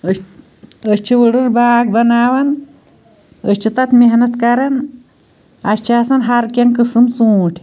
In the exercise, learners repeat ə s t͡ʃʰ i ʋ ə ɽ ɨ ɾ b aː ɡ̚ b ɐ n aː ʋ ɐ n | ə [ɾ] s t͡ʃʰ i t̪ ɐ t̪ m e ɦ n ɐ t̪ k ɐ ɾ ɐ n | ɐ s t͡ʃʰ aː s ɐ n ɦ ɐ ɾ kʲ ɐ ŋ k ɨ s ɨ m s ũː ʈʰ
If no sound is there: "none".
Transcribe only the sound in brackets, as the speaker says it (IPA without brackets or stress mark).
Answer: none